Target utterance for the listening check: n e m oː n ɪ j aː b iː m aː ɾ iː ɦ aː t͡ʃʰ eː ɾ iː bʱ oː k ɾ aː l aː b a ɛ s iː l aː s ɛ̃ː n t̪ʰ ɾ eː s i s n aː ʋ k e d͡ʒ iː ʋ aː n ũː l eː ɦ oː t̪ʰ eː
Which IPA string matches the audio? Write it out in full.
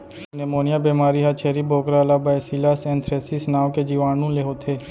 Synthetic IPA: n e m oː n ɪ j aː b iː m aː ɾ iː ɦ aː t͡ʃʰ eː ɾ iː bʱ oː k ɾ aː l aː b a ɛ s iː l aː s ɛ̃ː n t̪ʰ ɾ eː s i s n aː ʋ k e d͡ʒ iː ʋ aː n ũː l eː ɦ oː t̪ʰ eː